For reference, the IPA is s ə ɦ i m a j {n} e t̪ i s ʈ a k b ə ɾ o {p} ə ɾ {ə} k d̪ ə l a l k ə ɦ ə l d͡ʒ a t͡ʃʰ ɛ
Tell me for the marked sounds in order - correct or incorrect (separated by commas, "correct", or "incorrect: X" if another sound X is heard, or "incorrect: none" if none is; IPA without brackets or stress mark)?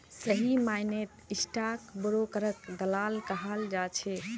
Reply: correct, incorrect: k, correct